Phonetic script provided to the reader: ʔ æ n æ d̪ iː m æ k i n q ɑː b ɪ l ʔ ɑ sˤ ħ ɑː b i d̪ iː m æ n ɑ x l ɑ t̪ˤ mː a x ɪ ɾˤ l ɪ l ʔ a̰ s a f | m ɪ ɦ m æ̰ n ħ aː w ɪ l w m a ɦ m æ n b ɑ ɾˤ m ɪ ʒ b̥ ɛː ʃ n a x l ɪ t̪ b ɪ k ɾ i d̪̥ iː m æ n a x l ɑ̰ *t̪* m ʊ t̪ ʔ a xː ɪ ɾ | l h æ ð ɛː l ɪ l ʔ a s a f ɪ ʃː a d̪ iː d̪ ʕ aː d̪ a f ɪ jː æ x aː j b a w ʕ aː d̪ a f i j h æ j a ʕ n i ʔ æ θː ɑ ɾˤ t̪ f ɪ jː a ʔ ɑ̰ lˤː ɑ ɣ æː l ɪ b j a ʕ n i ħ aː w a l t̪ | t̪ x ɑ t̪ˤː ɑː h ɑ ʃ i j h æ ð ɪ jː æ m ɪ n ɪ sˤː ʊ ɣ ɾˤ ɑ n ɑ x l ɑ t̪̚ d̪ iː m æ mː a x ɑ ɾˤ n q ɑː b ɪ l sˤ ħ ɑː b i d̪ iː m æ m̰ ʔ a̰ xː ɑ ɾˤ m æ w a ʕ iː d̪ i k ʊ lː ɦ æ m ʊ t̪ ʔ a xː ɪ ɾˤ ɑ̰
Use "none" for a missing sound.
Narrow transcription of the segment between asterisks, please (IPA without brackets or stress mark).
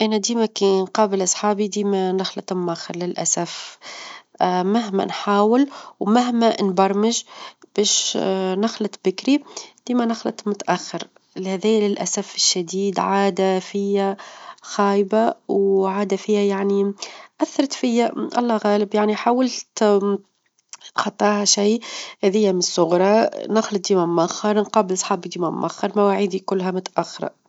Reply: t̪